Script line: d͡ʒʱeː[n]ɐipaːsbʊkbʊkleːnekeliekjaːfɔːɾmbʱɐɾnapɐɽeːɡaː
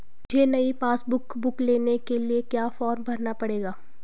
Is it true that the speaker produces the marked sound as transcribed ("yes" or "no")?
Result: yes